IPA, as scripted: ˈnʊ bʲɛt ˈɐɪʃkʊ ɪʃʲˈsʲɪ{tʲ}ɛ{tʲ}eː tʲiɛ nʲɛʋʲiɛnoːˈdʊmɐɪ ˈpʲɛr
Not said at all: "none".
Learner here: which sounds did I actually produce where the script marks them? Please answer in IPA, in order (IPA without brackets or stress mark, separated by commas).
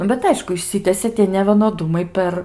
tʲ, sʲ